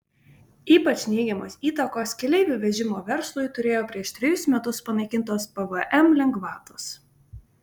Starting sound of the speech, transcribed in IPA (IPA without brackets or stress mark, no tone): iː